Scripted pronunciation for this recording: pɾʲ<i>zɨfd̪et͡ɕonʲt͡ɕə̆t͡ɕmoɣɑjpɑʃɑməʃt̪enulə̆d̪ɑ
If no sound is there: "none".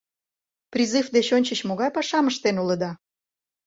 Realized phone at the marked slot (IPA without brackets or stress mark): i